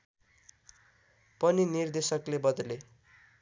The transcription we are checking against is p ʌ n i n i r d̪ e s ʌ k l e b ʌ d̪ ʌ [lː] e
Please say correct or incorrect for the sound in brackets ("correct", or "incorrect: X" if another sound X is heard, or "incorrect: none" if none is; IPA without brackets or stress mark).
incorrect: l